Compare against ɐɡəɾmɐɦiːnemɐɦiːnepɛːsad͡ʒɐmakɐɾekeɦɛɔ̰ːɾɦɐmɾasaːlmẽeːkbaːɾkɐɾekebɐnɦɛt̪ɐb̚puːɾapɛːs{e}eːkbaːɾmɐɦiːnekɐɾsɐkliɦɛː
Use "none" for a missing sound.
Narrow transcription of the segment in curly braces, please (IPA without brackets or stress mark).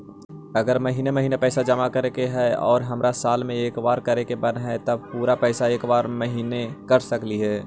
a